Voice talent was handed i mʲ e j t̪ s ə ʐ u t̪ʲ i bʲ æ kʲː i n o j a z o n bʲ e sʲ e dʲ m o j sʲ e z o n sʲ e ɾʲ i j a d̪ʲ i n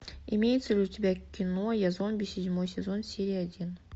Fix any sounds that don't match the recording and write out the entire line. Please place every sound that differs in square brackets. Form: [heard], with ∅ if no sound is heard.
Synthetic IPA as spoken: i mʲ e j t̪ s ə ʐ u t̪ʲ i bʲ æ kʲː i n o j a z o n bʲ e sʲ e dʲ m o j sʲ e z o n sʲ e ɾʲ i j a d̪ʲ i n